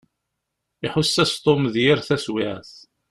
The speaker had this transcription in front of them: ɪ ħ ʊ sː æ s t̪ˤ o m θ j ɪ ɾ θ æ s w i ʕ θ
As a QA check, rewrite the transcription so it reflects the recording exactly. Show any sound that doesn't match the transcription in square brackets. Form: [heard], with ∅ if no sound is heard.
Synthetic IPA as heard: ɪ ħ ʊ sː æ s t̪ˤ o m [ð] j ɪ ɾ θ æ s w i ʕ θ